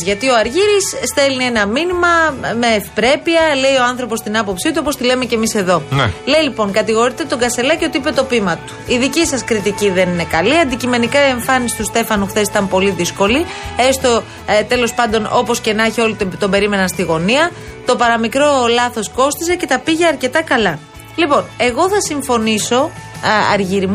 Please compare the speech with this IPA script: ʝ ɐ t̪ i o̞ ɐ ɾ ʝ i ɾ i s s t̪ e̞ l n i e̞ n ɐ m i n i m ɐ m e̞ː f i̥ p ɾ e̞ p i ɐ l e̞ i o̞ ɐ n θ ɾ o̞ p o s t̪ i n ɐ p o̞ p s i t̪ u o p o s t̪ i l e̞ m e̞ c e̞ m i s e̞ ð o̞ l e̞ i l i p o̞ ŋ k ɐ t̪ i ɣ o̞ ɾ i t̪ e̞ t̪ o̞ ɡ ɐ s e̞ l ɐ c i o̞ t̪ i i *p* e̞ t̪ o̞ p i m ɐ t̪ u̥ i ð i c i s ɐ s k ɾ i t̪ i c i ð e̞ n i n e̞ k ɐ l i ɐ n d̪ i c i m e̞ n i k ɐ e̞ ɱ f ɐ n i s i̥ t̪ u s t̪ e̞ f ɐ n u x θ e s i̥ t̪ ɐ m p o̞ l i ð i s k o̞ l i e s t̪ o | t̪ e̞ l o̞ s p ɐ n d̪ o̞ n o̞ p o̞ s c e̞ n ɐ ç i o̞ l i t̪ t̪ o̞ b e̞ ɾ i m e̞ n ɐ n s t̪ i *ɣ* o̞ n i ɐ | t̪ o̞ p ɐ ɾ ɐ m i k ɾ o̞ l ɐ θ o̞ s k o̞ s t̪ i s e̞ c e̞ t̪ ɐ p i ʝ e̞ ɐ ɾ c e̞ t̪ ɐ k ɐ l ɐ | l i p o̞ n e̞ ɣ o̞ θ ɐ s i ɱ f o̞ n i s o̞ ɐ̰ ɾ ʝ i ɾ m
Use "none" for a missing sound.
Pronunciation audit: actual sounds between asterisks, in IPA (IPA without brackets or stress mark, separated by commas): p, ɣ